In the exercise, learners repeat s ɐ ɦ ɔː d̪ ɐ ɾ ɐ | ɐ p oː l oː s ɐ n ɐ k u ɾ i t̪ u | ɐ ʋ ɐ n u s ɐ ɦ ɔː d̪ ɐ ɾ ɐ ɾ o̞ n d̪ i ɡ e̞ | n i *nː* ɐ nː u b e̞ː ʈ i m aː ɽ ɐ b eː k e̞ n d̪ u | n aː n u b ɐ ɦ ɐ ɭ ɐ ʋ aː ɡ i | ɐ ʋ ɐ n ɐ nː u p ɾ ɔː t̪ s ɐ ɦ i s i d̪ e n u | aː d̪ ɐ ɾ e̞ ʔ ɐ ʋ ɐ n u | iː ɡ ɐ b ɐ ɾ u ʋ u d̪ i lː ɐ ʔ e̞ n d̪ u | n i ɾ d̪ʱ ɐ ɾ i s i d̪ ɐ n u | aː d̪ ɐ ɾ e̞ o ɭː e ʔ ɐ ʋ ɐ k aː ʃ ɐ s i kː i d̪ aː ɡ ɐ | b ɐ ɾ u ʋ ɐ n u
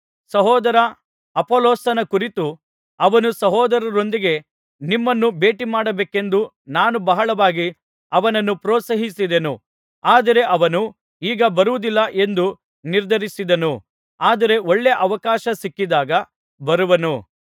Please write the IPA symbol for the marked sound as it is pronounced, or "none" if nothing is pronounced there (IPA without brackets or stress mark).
mː